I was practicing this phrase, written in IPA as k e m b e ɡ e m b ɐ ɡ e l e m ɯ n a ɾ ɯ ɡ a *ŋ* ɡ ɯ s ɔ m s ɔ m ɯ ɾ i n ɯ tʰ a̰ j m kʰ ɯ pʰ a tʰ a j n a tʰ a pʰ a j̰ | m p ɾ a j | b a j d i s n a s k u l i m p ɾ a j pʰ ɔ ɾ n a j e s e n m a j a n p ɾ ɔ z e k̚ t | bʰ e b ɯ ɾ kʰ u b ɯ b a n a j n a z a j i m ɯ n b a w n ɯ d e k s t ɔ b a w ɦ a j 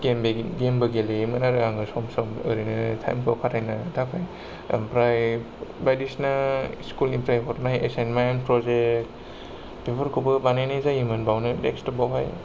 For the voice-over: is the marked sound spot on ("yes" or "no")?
yes